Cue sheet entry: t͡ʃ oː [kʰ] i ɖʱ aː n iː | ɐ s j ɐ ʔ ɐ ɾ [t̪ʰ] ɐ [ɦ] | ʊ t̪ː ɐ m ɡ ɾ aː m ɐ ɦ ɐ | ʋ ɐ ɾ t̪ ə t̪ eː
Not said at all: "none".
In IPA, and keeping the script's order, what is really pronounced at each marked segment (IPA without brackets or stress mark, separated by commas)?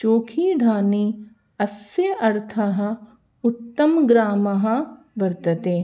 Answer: kʰ, t̪ʰ, ɦ